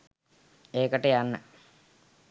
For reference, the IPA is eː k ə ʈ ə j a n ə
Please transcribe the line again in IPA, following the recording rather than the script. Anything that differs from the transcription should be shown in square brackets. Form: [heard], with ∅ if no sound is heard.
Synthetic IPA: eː k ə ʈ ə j a [nː] ə